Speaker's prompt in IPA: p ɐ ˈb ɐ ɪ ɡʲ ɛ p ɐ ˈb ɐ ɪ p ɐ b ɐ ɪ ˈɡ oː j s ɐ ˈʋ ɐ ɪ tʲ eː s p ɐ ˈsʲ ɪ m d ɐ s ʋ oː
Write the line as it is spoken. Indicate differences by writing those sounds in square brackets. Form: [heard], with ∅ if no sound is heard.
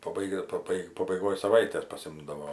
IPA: p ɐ ˈb ɐ ɪ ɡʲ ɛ p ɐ ˈb ɐ ɪ p ɐ b ɐ ɪ ˈɡ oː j s ɐ ˈʋ ɐ ɪ tʲ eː s p ɐ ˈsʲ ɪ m d ɐ [∅] ʋ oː